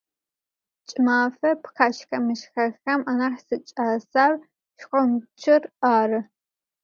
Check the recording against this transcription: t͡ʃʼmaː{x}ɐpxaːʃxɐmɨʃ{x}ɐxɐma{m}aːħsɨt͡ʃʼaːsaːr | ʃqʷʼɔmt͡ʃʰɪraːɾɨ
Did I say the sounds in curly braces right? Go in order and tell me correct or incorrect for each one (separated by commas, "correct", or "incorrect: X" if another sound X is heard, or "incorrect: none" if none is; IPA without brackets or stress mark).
incorrect: f, correct, incorrect: n